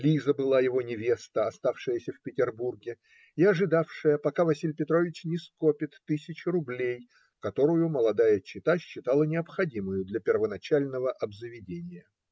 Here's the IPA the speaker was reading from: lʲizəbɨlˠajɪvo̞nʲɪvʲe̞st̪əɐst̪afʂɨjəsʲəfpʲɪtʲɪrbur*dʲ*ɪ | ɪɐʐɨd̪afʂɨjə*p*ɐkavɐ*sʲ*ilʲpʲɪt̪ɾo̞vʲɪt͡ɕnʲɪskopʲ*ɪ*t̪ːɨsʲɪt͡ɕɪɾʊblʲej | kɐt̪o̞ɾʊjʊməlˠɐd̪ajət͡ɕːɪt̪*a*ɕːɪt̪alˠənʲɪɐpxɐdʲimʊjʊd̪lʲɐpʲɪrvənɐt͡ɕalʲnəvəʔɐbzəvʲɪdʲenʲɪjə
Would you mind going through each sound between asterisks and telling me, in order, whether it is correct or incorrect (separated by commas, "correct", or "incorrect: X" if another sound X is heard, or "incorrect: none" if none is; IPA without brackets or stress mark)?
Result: incorrect: ɡʲ, correct, correct, correct, correct